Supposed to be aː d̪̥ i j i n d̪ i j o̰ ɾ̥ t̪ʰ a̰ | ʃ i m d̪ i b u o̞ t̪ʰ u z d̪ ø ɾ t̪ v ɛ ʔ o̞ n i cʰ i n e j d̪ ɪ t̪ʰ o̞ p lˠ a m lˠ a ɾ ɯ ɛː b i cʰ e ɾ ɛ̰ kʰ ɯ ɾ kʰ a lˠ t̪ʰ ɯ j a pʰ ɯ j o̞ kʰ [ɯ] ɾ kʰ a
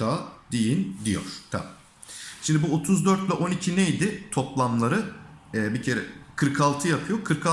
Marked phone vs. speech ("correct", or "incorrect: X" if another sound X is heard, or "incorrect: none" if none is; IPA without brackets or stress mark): correct